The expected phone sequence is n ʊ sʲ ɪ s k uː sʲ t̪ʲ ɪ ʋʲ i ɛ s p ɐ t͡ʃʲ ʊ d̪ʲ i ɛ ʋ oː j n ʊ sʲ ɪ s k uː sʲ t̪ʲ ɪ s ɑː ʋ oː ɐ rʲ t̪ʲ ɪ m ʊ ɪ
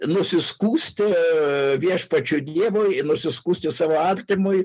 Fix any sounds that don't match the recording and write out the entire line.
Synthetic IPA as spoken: n ʊ sʲ ɪ s k uː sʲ t̪ʲ ɪ ʋʲ i ɛ ʃ p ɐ t͡ʃʲ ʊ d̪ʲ i ɛ ʋ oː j n ʊ sʲ ɪ s k uː sʲ t̪ʲ ɪ s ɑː ʋ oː ɐ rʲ t̪ʲ ɪ m ʊ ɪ